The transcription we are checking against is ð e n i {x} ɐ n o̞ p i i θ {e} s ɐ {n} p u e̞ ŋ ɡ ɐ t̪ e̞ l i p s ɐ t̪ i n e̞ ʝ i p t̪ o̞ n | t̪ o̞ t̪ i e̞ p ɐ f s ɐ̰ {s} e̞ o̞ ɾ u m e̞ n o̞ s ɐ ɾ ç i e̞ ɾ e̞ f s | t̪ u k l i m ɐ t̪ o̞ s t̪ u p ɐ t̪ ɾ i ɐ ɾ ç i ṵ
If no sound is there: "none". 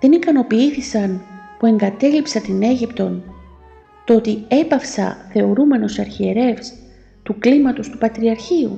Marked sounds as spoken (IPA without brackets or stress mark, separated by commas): k, i, n, θ